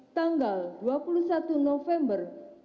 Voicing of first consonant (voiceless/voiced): voiceless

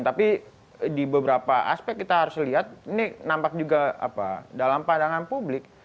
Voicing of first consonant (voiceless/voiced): voiceless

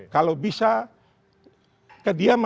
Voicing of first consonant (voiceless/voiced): voiceless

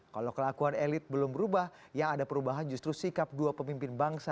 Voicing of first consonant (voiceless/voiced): voiceless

